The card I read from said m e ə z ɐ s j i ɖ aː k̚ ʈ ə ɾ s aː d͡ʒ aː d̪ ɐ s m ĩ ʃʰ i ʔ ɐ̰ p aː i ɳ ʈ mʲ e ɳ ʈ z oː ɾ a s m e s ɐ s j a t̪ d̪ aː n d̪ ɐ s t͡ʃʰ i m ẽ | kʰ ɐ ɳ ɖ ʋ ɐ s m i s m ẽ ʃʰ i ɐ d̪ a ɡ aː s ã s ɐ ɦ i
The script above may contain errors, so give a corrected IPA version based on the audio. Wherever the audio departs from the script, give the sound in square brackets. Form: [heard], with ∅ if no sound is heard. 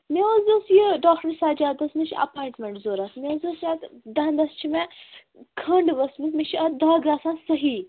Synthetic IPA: m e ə z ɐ s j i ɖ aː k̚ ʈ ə ɾ s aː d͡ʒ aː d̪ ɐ s m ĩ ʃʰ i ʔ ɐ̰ p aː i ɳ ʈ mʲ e ɳ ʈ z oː ɾ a s m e [z] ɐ s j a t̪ d̪ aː n d̪ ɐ s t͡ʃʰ i m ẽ | kʰ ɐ ɳ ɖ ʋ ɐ s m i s m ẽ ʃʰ i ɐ d̪ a ɡ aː s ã s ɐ ɦ i

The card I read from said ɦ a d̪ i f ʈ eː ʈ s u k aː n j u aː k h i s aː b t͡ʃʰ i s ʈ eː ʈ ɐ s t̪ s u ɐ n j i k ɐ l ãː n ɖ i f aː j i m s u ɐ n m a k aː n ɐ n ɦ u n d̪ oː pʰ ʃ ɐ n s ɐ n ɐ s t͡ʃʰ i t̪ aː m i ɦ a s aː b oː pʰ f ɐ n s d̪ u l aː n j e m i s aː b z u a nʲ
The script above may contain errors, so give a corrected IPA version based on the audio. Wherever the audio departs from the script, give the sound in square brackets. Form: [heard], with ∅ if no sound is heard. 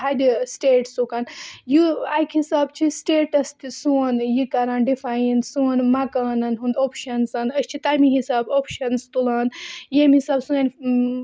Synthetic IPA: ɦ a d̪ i [s] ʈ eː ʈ s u k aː n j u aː k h i s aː b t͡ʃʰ i s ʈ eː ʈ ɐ s t̪ s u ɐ n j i k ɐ [ɾ] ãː n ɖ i f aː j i [n] s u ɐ n m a k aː n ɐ n ɦ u n d̪ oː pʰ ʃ ɐ n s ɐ n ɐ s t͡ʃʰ i t̪ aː m i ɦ [i] s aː b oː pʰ [ʃ] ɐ n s [t̪] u l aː n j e m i s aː b [s] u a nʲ

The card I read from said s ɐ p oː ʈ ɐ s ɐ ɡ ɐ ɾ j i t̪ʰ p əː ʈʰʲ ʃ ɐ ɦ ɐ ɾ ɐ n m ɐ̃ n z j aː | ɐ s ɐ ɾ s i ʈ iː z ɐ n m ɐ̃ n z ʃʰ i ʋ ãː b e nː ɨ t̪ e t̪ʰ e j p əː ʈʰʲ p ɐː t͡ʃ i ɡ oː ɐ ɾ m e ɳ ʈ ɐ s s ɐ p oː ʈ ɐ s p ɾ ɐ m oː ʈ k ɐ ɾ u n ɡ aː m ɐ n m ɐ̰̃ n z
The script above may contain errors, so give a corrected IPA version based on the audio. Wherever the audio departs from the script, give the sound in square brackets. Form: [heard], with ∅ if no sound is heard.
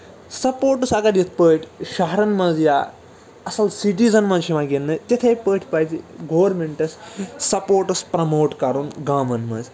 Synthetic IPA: s ɐ p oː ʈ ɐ s ɐ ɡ ɐ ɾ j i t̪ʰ p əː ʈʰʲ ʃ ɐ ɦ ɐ ɾ ɐ n m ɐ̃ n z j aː | ɐ s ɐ [l] s i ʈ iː z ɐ n m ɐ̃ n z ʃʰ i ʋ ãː [ɡ] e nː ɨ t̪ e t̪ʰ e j p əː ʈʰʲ p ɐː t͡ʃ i ɡ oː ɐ ɾ m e ɳ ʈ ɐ s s ɐ p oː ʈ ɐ s p ɾ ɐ m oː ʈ k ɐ ɾ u n ɡ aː m ɐ n m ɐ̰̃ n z

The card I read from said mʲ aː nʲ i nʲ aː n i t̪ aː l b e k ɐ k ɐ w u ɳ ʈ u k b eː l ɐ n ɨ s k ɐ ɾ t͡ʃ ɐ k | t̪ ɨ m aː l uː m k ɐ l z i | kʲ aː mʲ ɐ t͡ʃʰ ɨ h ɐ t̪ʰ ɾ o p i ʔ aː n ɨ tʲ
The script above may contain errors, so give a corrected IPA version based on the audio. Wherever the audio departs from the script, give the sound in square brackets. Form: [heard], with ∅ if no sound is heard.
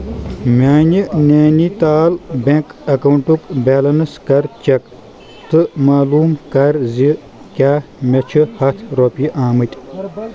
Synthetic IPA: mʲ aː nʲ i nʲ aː n i t̪ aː l b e k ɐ k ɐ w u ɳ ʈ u k b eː l ɐ n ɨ s k ɐ ɾ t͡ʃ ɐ k | t̪ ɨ m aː l uː m k ɐ [ɾ] z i | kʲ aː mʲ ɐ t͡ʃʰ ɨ h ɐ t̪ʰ ɾ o p i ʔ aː [m] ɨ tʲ

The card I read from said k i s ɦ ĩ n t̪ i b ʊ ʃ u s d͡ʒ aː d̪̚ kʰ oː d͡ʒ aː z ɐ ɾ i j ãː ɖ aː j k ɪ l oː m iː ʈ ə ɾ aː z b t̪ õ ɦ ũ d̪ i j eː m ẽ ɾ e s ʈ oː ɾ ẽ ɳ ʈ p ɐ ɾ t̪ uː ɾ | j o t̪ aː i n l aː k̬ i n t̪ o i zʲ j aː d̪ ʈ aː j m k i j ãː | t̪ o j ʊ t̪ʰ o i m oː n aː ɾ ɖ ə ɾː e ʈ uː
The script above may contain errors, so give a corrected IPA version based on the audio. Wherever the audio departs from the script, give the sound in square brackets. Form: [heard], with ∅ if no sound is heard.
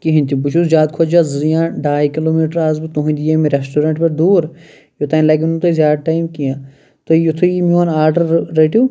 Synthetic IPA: k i [∅] ɦ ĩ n t̪ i b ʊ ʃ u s d͡ʒ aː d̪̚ kʰ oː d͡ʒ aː z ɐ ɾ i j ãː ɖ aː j k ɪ l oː m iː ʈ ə ɾ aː z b t̪ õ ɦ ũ d̪ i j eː m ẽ ɾ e s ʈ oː ɾ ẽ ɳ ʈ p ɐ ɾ [d̪] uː ɾ | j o t̪ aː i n l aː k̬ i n t̪ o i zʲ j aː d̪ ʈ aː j m k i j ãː | t̪ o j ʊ t̪ʰ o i m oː n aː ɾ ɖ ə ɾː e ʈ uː

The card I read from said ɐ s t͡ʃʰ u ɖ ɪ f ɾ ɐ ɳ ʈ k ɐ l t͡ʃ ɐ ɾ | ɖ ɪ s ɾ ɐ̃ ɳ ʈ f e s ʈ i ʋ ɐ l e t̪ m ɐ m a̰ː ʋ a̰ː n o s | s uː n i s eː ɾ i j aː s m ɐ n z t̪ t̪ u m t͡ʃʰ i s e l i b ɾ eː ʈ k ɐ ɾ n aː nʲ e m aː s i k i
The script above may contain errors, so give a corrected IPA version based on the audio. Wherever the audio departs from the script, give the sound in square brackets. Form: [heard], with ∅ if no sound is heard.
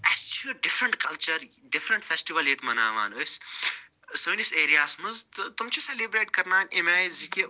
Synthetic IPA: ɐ s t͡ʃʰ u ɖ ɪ f ɾ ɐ ɳ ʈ k ɐ l t͡ʃ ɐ ɾ | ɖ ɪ [f] ɾ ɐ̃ ɳ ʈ f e s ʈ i ʋ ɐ l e t̪ m ɐ [n] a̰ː ʋ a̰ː n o s | s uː n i s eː ɾ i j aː s m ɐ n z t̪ t̪ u m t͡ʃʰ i s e l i b ɾ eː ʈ k ɐ ɾ n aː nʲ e m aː [z] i k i

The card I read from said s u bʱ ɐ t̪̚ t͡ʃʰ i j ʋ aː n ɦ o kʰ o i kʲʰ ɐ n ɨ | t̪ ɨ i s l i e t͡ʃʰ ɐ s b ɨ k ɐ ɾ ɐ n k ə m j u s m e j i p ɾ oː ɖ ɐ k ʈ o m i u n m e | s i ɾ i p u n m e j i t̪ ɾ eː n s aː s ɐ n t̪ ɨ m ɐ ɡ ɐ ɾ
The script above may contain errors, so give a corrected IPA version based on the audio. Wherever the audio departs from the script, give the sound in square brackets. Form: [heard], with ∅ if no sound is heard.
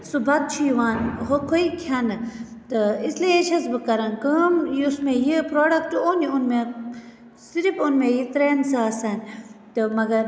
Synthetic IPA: s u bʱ ɐ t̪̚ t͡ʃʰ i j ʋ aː n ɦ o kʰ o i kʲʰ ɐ n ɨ | t̪ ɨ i s l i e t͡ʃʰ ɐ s b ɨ k ɐ ɾ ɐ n k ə m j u s m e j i p ɾ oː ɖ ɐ k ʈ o [n] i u n m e | s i ɾ i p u n m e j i t̪ ɾ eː n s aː s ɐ n t̪ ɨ m ɐ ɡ ɐ ɾ

